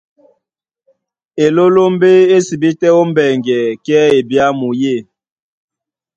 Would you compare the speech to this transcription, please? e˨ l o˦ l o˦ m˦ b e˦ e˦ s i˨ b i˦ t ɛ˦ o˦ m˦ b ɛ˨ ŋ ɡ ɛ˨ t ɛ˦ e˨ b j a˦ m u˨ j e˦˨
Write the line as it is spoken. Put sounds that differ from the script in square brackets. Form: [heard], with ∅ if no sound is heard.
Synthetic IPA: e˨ l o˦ l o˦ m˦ b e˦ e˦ s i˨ b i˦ t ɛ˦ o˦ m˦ b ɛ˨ ŋ ɡ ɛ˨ [k] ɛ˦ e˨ b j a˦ m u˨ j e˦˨